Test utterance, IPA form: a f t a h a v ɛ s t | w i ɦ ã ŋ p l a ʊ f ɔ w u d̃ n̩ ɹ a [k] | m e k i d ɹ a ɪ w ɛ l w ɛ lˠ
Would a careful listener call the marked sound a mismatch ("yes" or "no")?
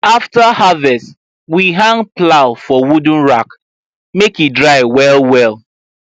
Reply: no